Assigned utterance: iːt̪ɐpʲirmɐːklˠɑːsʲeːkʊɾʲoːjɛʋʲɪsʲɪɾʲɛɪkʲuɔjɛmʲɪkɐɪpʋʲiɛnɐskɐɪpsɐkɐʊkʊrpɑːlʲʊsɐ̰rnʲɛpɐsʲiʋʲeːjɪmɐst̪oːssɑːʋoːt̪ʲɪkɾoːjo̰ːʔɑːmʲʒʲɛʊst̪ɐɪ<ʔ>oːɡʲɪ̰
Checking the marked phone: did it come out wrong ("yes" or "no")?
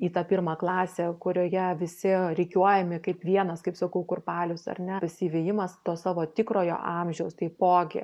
yes